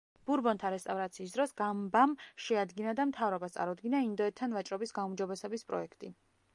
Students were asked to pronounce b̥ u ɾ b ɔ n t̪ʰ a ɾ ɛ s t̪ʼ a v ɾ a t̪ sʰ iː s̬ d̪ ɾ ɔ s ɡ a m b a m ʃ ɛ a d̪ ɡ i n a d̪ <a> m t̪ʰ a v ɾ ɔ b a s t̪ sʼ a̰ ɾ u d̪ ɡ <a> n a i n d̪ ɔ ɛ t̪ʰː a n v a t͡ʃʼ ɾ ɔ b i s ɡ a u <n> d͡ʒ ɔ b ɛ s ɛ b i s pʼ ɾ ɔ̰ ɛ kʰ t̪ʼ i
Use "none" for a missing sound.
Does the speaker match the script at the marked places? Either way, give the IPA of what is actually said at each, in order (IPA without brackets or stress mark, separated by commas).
a, i, m